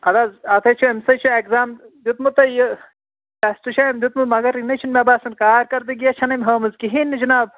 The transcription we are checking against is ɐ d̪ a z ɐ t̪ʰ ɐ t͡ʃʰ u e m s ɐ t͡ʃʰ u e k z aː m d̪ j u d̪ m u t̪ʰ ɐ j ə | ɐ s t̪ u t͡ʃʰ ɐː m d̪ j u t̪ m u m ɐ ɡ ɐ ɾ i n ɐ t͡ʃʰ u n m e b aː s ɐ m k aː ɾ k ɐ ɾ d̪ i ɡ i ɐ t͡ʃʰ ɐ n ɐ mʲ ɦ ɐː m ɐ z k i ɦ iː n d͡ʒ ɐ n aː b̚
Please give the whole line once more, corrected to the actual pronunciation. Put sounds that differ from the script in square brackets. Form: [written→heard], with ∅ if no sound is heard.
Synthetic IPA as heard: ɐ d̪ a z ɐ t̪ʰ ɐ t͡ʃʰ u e m s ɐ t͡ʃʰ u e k z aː m d̪ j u [d̪→t̪] m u [t̪ʰ→t̪] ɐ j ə | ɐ s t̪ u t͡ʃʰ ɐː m d̪ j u t̪ m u m ɐ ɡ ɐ ɾ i n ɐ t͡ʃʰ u n m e b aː s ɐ [m→n] k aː ɾ k ɐ ɾ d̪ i ɡ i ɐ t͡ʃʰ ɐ n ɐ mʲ ɦ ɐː m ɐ z k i ɦ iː n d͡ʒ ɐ n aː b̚